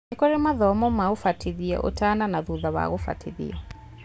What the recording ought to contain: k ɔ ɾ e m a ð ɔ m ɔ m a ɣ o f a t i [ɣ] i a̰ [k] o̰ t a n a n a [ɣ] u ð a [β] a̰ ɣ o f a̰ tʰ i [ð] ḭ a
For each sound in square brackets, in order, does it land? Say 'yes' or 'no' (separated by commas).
no, no, no, yes, yes